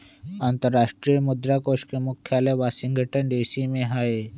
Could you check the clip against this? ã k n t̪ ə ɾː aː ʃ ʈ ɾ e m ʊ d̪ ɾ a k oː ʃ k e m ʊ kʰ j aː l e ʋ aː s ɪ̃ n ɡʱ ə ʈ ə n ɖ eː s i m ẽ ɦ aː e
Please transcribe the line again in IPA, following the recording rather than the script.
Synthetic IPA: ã n t̪ ə ɾː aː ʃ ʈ ɾ i m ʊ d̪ ɾ a k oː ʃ k e m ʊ kʰ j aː l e ʋ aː s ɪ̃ ŋ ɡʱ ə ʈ ə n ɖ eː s i m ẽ ɦ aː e